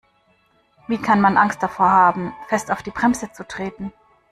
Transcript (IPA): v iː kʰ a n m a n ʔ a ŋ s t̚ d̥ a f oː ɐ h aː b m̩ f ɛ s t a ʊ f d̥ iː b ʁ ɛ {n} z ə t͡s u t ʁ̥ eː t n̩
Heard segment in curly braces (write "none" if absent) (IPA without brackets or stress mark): m